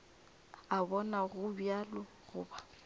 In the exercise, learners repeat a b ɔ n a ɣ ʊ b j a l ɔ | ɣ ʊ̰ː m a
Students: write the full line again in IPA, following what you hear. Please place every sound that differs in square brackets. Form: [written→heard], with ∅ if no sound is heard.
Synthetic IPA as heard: a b ɔ n a ɣ ʊ b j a l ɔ | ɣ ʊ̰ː [m→b] a